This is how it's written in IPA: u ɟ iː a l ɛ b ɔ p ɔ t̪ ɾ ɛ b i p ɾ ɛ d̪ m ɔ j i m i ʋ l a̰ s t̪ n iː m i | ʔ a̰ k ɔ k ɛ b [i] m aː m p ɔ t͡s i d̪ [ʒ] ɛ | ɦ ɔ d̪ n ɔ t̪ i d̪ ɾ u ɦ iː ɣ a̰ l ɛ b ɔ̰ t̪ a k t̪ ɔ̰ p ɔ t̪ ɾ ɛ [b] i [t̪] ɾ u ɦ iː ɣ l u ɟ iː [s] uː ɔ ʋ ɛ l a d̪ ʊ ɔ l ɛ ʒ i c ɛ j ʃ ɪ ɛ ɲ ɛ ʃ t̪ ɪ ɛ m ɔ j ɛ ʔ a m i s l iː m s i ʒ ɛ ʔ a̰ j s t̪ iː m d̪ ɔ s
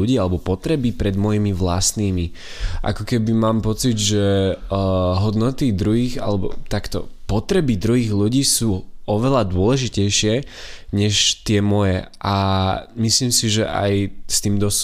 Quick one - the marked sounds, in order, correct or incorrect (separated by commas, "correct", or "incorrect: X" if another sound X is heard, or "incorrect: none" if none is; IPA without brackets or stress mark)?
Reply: correct, correct, correct, incorrect: d̪, correct